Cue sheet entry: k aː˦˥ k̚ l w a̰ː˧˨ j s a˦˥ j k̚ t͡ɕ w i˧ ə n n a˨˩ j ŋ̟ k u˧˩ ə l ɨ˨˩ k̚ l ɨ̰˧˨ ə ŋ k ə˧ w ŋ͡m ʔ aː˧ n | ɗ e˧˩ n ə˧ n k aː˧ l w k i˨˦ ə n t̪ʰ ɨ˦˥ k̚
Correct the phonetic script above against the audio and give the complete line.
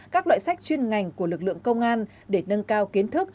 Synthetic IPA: k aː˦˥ k̚ l w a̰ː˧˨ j s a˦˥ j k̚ t͡ɕ w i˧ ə n ŋ a˨˩ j ŋ̟ k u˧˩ ə l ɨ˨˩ k̚ l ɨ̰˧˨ ə ŋ k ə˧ w ŋ͡m ʔ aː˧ n | ɗ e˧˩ n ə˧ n k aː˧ w k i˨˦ ə n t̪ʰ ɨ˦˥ k̚